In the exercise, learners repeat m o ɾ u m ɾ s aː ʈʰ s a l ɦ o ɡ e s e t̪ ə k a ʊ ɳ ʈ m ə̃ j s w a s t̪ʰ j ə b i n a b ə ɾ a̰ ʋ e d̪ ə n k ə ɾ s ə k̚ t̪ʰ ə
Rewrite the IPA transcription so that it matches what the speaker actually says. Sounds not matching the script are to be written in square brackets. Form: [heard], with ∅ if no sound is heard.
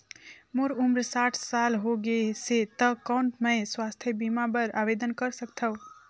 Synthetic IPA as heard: m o ɾ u m ɾ s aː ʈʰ s a l ɦ o ɡ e s e t̪ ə k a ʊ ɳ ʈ m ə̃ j s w a s t̪ʰ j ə b i [m] a b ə ɾ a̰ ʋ e d̪ ə n k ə ɾ s ə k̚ t̪ʰ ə